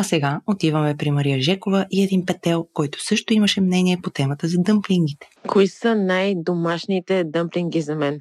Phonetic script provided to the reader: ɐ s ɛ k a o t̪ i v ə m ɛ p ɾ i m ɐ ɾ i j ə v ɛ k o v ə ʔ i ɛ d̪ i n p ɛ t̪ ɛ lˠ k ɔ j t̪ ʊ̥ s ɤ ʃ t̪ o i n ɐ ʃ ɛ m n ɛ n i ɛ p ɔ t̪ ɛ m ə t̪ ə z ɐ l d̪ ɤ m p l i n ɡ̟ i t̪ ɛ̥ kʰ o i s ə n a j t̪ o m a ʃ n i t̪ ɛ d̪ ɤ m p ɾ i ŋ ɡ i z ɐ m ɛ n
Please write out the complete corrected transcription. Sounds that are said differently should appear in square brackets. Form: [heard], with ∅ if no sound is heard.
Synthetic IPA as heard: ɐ s ɛ [ɡ] a o t̪ i v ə m ɛ p ɾ i m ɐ ɾ i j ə [ʒ] ɛ k o v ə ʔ i ɛ d̪ i n p ɛ t̪ ɛ lˠ k ɔ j t̪ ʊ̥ s ɤ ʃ t̪ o i [m] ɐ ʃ ɛ m n ɛ n i ɛ p [o] t̪ ɛ m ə t̪ ə z ɐ [∅] d̪ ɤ m p l i [ŋ] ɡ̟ i t̪ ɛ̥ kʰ o i s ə n a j [d̪] o m a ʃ n i t̪ ɛ d̪ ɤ m p [l] i ŋ ɡ i z ɐ m ɛ n